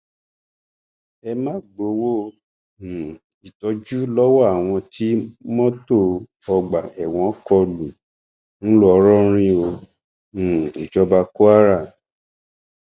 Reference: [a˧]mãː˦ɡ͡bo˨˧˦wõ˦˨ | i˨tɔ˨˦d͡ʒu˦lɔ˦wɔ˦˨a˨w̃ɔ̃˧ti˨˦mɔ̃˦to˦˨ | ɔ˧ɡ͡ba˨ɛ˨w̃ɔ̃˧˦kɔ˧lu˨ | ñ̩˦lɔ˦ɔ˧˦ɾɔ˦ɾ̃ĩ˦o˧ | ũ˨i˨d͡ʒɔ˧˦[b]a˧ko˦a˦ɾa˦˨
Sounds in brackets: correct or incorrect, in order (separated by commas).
incorrect, correct